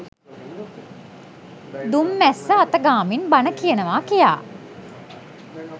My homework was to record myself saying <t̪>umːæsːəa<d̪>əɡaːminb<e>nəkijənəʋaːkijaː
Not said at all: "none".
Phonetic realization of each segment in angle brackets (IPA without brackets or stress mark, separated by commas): d̪, t̪, a